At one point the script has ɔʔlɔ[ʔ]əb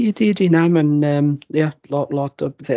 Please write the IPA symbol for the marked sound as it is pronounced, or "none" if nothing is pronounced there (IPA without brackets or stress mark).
t